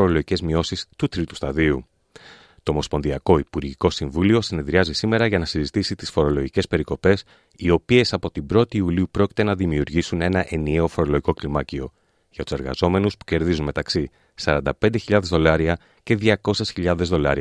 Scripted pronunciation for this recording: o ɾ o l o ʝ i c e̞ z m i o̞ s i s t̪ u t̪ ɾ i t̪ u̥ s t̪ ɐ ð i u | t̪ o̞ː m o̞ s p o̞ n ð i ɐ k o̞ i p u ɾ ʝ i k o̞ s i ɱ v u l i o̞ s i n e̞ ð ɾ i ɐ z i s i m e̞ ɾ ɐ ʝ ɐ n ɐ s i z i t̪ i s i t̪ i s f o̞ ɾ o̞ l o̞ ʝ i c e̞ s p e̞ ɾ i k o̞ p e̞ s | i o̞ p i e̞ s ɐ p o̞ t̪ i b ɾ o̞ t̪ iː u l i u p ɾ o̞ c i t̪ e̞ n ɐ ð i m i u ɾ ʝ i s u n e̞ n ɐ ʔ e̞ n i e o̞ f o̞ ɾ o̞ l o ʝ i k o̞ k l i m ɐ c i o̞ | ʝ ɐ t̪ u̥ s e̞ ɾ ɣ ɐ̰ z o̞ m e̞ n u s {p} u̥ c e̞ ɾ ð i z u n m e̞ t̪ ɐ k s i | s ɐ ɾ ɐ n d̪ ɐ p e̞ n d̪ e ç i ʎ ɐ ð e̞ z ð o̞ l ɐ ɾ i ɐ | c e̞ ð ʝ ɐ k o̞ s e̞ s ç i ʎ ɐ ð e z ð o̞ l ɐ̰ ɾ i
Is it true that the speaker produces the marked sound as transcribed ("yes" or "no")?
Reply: yes